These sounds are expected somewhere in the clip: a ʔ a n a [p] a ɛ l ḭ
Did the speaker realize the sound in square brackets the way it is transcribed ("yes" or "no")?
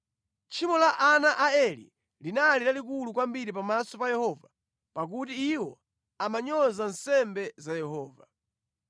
no